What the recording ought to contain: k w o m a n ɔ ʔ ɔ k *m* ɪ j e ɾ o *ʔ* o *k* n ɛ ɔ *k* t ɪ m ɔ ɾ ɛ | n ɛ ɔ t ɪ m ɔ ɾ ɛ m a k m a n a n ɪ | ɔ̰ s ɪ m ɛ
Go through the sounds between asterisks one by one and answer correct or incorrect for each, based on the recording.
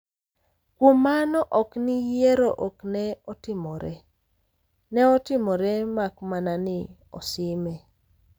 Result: incorrect, correct, correct, incorrect

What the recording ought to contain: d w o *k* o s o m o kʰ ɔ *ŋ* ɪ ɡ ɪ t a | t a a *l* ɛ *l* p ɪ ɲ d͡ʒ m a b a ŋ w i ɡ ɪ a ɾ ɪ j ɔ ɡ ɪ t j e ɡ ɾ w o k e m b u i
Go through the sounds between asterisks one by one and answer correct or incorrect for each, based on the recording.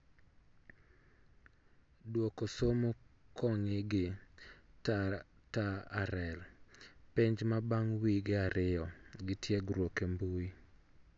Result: correct, correct, incorrect, correct

